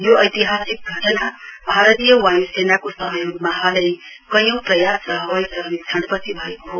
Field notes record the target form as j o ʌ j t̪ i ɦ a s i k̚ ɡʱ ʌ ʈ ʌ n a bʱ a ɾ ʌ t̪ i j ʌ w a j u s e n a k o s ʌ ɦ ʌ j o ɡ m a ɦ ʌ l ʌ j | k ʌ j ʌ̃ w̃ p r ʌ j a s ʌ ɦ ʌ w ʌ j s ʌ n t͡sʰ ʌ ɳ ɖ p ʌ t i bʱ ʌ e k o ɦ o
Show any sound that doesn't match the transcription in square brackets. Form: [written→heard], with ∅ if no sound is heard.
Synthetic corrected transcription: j o ʌ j t̪ i ɦ a s i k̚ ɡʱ ʌ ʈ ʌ n a bʱ a ɾ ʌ t̪ i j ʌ w a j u s e n a k o s ʌ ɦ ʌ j o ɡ m a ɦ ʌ l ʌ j | k ʌ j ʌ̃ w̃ p r ʌ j a s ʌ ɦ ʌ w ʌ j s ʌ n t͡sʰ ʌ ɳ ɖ p ʌ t i bʱ ʌ e k o ɦ o